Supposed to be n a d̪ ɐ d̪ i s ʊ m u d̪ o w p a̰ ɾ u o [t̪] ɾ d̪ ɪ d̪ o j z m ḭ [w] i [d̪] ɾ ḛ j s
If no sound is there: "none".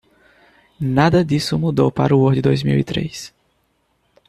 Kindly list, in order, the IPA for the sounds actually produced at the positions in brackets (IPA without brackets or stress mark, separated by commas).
none, w, t̪